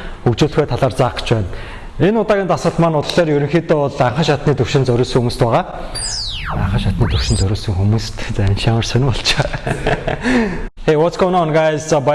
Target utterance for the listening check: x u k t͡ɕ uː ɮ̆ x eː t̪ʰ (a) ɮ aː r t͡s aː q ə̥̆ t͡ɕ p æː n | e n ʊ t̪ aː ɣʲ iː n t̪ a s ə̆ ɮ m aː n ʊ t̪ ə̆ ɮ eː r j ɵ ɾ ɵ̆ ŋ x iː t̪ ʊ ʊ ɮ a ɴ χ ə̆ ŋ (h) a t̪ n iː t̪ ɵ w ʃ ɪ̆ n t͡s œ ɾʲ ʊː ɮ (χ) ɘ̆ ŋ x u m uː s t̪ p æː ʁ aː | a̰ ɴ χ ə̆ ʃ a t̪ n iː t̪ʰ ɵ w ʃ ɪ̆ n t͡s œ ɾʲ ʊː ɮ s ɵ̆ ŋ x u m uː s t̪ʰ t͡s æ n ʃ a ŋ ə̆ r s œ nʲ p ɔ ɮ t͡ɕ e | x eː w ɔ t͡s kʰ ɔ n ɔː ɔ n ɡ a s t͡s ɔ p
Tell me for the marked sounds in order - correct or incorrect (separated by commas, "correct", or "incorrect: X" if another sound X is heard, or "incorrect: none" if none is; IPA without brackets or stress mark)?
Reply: correct, incorrect: ʃ, incorrect: s